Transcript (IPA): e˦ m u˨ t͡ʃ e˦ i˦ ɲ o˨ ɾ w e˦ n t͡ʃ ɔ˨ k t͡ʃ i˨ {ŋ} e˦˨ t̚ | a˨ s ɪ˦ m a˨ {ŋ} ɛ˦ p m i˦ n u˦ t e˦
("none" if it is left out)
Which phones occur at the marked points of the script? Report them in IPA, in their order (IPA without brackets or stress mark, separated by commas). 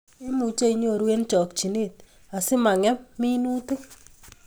n, ŋ